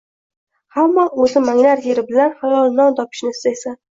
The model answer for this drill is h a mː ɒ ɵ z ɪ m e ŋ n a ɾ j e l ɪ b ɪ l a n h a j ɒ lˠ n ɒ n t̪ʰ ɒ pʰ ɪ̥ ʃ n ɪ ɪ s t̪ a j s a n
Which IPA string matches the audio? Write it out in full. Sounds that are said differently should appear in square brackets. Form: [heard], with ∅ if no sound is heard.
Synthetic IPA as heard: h a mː ɒ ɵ z ɪ m [a] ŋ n a ɾ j e [ɾ] ɪ b ɪ l a n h a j ɒ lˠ n ɒ n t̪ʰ ɒ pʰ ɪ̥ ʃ n ɪ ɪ s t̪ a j s a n